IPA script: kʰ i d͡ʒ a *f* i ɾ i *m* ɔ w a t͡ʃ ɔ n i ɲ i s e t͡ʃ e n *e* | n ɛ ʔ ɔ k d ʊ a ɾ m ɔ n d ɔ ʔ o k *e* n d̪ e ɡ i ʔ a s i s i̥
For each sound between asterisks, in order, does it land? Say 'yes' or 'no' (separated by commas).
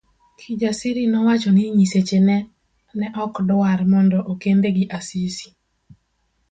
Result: no, no, no, yes